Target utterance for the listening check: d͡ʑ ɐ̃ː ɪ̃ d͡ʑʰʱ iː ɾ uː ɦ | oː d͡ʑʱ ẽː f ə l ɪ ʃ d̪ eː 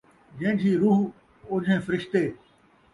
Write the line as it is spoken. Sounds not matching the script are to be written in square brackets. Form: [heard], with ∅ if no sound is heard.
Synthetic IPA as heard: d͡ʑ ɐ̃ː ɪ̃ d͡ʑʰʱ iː ɾ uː ɦ | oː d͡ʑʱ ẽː f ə [ɾ] ɪ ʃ [t̪] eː